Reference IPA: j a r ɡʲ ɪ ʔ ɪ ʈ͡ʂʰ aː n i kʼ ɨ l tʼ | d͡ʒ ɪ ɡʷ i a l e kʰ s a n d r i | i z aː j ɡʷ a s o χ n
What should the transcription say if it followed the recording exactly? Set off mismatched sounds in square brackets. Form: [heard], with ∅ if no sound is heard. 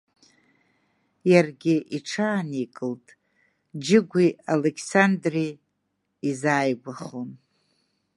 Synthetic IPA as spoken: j a r ɡʲ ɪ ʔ [i] ʈ͡ʂʰ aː n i kʼ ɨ l tʼ | d͡ʒ ɪ ɡʷ i a l e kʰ s a n d r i | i z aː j ɡʷ a [χ] o [∅] n